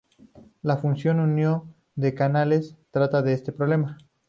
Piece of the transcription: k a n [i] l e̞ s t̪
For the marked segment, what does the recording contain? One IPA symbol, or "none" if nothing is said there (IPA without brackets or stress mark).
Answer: a